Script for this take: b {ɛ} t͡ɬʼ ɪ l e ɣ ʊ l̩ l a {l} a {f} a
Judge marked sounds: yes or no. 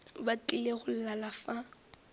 no, yes, yes

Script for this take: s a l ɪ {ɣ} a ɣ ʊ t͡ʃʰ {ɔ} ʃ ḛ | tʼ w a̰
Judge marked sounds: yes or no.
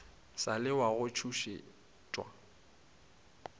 no, no

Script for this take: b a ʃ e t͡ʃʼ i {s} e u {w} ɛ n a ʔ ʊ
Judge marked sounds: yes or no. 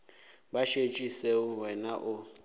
yes, yes

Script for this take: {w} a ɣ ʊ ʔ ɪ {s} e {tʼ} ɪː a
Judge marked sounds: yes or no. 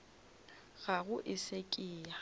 no, yes, no

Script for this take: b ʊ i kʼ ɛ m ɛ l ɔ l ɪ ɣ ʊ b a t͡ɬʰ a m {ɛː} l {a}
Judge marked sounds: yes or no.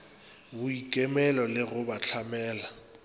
yes, yes

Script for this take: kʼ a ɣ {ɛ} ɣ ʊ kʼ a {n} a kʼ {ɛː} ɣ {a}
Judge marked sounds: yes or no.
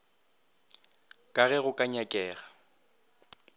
yes, no, yes, yes

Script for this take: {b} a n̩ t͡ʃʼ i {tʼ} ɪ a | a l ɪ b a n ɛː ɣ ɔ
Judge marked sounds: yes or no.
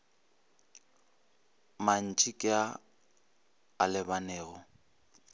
no, no

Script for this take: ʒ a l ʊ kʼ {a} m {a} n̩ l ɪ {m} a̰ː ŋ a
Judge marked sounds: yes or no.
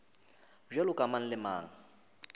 yes, yes, yes

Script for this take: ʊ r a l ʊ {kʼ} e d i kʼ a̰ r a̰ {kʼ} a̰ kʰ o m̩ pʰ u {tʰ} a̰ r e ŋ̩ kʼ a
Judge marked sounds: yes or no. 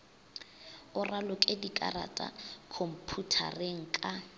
yes, no, yes

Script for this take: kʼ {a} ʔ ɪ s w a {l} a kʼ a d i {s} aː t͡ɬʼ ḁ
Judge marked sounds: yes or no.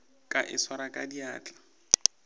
yes, no, no

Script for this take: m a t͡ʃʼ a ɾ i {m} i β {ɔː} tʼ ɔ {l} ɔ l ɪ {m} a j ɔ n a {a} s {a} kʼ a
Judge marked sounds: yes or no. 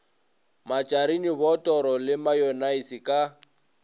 no, no, no, yes, no, no

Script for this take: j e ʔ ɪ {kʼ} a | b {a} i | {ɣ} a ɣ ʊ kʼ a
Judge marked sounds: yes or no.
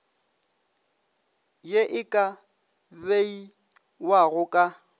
yes, no, no

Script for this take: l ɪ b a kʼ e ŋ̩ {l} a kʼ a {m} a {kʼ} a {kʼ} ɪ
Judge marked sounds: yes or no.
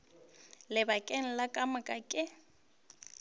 yes, yes, yes, yes

